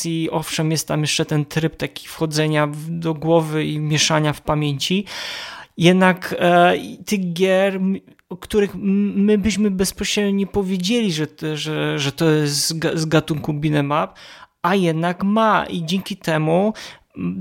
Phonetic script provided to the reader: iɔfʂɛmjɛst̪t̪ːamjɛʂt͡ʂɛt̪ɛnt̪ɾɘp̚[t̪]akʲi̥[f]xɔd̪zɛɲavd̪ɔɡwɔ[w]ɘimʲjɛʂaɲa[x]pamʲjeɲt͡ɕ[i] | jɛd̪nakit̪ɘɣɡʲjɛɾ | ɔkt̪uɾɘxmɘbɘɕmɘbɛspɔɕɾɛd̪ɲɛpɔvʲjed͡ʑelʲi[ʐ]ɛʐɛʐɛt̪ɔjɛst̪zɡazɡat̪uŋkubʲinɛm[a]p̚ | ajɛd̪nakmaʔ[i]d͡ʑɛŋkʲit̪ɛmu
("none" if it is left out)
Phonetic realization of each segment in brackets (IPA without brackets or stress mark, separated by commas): t̪, f, v, f, i, ʐ, a, i